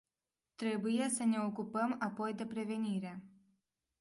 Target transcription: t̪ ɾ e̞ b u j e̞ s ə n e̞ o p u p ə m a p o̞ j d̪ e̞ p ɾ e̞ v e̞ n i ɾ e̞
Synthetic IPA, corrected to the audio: t̪ ɾ e̞ b u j e̞ s ə n e̞ o k u p ə m a p o̞ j d̪ e̞ p ɾ e̞ v e̞ n i ɾ e̞